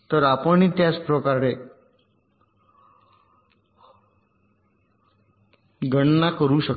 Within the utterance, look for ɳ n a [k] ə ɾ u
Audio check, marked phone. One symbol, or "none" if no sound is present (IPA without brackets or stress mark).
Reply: k